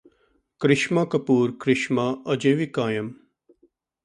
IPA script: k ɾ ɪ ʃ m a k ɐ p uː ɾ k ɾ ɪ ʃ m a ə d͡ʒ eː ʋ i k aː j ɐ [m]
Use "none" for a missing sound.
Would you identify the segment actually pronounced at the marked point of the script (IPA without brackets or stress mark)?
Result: m